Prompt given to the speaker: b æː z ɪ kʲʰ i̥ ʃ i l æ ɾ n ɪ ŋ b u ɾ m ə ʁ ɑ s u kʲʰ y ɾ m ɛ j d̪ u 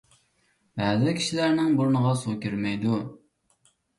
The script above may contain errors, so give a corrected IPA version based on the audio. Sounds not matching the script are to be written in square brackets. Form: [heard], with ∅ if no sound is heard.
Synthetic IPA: b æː z ɪ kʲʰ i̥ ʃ i l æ ɾ n ɪ ŋ b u ɾ [n] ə ʁ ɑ s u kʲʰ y ɾ m ɛ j d̪ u